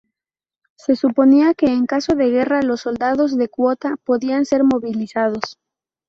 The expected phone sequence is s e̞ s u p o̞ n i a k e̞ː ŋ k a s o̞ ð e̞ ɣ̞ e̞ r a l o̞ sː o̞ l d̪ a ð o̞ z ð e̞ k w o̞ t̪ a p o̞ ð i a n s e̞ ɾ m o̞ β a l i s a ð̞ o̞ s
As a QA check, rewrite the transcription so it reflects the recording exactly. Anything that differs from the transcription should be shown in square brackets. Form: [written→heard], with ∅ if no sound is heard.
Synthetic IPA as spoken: s e̞ s u p o̞ n i a k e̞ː ŋ k a s o̞ ð e̞ ɣ̞ e̞ r a l o̞ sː o̞ l d̪ a ð o̞ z ð e̞ k w o̞ t̪ a p o̞ ð i a n s e̞ ɾ m o̞ β [a→i] l i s a ð̞ o̞ s